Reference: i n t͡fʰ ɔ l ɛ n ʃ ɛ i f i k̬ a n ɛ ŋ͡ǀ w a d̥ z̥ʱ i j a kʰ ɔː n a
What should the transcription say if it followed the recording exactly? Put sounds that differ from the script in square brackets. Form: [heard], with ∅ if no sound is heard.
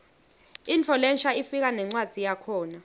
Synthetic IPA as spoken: i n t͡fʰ ɔ l ɛ n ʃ [a] i f i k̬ a n ɛ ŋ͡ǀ w a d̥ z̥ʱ i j a kʰ ɔː n a